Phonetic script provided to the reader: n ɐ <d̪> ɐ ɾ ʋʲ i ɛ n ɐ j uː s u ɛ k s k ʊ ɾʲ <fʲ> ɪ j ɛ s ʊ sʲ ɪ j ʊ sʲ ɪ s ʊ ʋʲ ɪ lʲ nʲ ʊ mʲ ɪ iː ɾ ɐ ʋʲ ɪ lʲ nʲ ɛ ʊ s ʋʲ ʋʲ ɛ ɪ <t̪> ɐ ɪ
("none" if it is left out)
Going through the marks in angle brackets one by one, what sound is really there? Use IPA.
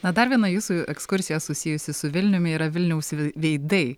d̪, sʲ, d̪

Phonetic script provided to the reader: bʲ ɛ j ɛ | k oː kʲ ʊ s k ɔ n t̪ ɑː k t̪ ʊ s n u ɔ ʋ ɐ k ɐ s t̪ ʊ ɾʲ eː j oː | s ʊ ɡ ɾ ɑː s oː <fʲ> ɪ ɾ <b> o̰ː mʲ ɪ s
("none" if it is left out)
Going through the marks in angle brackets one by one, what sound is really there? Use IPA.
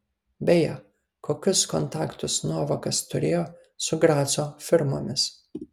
fʲ, m

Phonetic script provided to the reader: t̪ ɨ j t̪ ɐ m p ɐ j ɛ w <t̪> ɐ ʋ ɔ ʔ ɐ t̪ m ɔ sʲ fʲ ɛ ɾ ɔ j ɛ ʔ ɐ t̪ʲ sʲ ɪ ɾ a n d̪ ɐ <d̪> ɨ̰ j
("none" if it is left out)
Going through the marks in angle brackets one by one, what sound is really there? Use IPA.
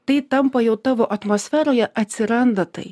t̪, t̪

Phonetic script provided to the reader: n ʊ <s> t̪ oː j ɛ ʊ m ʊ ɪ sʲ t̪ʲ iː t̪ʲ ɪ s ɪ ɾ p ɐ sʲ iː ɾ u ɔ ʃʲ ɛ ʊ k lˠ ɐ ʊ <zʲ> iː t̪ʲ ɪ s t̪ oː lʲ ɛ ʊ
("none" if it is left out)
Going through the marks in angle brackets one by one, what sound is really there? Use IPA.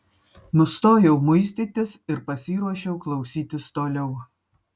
s, sʲ

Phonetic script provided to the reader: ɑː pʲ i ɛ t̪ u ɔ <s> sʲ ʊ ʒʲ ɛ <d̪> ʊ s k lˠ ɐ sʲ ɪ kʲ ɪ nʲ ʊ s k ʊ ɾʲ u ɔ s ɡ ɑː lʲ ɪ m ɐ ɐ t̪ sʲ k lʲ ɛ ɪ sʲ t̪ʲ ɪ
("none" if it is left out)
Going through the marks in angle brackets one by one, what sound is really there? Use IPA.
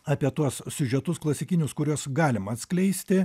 s, t̪

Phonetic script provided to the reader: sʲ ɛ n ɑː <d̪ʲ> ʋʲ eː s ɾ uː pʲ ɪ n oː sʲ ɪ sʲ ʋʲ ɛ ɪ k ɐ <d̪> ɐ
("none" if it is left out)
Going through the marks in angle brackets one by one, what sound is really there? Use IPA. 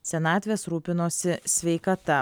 t̪ʲ, t̪

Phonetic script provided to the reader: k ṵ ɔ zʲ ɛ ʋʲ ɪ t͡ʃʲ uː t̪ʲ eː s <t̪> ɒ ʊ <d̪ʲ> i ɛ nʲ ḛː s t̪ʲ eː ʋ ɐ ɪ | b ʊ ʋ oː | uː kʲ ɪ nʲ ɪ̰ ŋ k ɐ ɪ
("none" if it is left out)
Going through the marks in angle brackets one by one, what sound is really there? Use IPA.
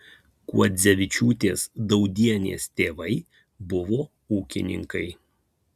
d̪, d̪ʲ

